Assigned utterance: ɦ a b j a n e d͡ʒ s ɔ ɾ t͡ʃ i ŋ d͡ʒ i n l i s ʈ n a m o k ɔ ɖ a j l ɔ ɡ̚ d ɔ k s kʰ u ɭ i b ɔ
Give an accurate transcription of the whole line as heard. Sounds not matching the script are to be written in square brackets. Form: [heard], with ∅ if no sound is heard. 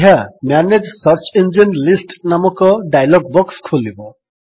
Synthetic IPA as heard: ɦ a [m] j a n e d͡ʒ s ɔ ɾ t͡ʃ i [n] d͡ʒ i n l i s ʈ n a m [ɔ] k ɔ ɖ a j l ɔ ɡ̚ [b] ɔ k s kʰ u [l] i b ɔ

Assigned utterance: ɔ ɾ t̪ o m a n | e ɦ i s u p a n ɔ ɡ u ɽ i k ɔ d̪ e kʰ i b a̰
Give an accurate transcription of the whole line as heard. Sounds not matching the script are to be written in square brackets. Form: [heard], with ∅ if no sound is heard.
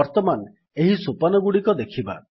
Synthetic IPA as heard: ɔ ɾ t̪ [ɔ] m a n | e ɦ i s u p a n ɔ ɡ u ɽ i k ɔ d̪ e kʰ i b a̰

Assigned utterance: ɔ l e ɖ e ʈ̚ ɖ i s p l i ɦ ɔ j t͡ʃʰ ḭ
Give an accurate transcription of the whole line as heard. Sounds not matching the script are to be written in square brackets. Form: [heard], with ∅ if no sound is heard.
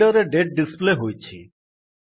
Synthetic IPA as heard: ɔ [ɾ] e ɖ e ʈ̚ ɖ i s p l [e] ɦ [o] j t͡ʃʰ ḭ

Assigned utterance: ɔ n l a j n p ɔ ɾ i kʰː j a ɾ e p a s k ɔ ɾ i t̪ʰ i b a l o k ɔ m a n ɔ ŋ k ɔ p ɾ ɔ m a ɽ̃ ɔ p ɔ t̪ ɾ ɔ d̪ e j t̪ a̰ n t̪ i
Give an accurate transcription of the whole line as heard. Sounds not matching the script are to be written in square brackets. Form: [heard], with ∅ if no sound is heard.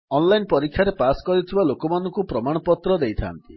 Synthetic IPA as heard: ɔ n l a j n p ɔ ɾ i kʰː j a ɾ e p a s k ɔ ɾ i t̪ʰ i b a l o k ɔ m a n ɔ ŋ k [u] p ɾ ɔ m a ɽ̃ ɔ p ɔ t̪ ɾ ɔ d̪ e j [t̪ʰ] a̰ n t̪ i

